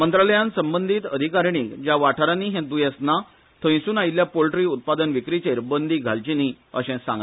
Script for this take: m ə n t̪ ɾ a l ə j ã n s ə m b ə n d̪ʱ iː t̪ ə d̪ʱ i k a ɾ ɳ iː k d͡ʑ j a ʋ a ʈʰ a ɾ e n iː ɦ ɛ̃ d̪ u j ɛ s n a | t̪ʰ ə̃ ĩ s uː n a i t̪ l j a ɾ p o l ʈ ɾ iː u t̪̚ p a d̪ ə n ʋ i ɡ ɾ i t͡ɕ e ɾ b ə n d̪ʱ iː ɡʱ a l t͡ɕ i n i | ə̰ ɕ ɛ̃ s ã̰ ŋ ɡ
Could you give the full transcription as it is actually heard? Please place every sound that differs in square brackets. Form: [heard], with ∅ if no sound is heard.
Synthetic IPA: m ə n t̪ ɾ a l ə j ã n s ə m b ə n d̪ʱ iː t̪ ə d̪ʱ i k a ɾ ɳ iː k d͡ʑ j a ʋ a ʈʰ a ɾ [a] n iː ɦ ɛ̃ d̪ u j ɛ s n a | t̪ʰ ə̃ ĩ s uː n a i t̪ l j a [∅] p o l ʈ ɾ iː u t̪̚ p a d̪ ə n ʋ i [k] ɾ i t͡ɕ e ɾ b ə n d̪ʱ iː ɡʱ a l t͡ɕ i n i | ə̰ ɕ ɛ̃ s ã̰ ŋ ɡ

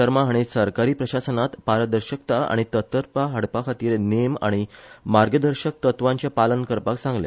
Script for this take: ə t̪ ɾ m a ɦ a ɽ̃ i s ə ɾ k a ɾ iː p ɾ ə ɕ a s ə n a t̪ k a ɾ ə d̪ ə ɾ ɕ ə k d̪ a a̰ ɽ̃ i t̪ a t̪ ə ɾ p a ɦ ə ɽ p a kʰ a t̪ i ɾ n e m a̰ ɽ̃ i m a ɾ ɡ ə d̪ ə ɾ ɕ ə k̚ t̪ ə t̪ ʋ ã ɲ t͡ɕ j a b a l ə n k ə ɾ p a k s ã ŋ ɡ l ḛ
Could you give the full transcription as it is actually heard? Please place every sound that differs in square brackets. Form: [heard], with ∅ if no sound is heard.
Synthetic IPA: ə [∅] ɾ m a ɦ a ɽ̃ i s ə ɾ k a ɾ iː p ɾ ə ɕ a s ə n a t̪ [p] a ɾ ə d̪ ə ɾ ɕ ə k [t̪] a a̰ ɽ̃ i t̪ [ə] t̪ ə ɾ p a ɦ ə ɽ p a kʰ a t̪ [iː] ɾ n e m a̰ ɽ̃ i m a ɾ ɡ ə d̪ ə ɾ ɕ ə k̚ t̪ ə t̪ ʋ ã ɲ t͡ɕ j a [p] a l ə n k ə ɾ p a k s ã ŋ ɡ l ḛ

